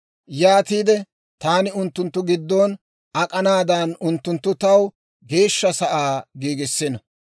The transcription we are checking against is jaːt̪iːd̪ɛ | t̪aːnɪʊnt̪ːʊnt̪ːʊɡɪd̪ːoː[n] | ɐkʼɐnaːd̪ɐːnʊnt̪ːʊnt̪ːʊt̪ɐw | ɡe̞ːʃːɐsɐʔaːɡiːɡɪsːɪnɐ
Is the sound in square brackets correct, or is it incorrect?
correct